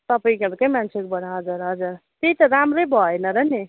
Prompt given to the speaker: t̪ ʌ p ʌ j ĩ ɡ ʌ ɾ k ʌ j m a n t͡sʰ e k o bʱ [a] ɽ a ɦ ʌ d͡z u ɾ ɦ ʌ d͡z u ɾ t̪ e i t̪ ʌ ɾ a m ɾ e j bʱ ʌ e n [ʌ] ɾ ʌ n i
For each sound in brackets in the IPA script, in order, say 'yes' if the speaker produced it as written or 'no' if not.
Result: no, yes

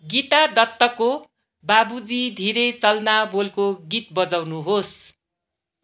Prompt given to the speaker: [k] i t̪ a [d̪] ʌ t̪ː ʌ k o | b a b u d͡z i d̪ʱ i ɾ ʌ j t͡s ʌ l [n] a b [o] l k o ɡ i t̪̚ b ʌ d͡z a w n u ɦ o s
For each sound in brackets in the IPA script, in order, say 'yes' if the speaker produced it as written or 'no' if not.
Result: no, yes, yes, yes

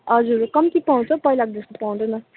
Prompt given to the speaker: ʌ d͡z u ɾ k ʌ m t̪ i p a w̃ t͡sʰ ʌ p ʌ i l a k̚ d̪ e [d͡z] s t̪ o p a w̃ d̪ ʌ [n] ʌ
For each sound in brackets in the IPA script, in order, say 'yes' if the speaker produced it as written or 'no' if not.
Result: no, yes

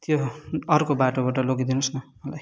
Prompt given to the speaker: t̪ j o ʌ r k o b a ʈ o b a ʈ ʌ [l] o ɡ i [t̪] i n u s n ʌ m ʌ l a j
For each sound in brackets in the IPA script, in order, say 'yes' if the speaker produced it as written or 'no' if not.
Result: yes, no

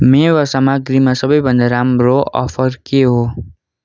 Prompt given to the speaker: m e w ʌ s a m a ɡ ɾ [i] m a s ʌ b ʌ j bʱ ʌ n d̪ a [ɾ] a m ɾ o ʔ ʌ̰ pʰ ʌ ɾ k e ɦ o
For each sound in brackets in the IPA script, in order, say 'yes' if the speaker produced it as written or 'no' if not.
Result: yes, yes

